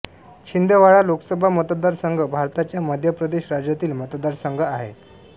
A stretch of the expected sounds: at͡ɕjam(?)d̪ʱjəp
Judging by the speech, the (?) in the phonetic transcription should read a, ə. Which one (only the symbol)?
ə